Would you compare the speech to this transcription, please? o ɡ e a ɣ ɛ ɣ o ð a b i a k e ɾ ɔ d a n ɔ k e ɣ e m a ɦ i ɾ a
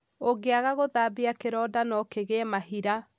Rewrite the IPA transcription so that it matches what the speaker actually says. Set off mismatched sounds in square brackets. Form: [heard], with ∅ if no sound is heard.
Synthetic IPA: o ɡ e a ɣ [a] ɣ o ð a b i a k e ɾ ɔ d a n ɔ k e ɣ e m a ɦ i ɾ a